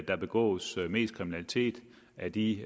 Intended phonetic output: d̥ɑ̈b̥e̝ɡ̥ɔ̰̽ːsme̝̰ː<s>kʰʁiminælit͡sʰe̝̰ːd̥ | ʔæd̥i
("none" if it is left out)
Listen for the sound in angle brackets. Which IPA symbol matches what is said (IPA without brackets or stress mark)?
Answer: s